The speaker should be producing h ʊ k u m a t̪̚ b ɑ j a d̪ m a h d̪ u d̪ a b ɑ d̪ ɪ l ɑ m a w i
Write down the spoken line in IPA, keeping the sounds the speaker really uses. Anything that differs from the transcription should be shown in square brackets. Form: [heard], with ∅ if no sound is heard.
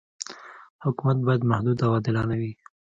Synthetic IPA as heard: h ʊ k u m a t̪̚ b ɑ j a d̪ m a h d̪ u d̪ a [w] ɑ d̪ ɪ l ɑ [n] a w i